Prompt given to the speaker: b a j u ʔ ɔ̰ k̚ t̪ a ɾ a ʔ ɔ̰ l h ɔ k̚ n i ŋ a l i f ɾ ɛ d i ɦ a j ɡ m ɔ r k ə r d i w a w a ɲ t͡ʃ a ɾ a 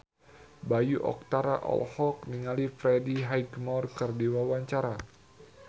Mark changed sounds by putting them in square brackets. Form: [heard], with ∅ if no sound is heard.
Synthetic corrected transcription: b a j u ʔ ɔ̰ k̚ t̪ a ɾ a ʔ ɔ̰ l h ɔ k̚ n i ŋ a l i f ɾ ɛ d i ɦ a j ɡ m ɔ r k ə r d i w a w a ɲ t͡ʃ a ɾ a